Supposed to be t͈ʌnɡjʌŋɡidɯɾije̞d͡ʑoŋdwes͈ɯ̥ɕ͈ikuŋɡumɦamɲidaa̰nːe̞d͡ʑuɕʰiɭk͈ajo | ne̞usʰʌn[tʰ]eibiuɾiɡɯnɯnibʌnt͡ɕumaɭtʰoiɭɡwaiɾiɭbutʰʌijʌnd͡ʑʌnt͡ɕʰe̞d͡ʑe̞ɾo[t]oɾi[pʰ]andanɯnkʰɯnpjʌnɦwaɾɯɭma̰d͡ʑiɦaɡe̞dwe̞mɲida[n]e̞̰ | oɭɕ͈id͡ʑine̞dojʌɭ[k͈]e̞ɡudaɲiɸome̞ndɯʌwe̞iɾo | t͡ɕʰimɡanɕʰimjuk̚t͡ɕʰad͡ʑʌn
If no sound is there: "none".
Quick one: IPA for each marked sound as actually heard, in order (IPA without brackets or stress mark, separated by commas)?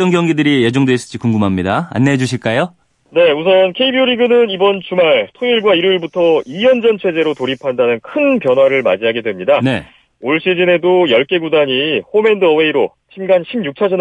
kʰ, t, pʰ, n, k͈